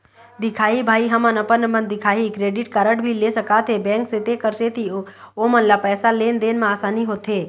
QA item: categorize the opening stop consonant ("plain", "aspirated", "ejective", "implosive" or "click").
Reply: plain